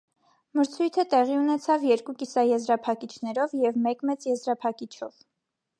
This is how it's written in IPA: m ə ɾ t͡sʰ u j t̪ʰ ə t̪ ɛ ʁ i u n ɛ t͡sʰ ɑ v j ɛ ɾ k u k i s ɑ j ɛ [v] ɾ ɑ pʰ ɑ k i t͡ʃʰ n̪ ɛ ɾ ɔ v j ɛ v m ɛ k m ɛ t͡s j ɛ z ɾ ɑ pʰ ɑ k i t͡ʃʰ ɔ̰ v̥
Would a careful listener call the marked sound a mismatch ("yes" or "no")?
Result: yes